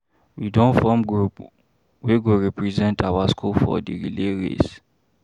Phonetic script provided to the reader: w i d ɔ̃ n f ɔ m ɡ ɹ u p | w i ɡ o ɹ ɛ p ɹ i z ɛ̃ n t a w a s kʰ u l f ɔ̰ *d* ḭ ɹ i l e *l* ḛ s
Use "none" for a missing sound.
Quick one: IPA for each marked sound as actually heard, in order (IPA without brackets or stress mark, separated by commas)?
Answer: d, ɹ